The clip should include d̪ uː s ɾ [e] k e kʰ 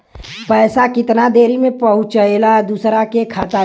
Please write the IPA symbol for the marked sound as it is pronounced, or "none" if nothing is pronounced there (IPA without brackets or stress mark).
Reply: a